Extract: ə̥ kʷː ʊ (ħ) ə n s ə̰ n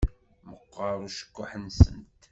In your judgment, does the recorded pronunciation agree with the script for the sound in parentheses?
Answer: yes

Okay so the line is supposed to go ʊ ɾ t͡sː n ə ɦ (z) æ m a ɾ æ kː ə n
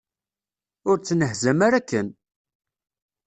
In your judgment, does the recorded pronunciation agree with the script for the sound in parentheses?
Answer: yes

